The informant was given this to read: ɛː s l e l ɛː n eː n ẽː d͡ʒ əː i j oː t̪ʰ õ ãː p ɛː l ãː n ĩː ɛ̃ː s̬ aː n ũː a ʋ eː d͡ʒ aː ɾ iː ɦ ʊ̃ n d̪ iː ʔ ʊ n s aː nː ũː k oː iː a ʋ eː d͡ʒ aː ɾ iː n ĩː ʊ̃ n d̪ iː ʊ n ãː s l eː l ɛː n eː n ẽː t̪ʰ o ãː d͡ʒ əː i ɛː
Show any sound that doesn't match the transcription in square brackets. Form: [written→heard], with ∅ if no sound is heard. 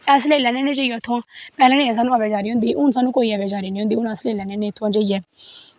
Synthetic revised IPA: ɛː s l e l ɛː n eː n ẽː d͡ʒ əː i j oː t̪ʰ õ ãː p ɛː l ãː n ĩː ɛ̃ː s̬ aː n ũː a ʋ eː d͡ʒ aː ɾ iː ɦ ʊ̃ n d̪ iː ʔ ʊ n s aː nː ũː k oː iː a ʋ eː d͡ʒ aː ɾ iː n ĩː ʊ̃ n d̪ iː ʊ n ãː s l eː l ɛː n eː n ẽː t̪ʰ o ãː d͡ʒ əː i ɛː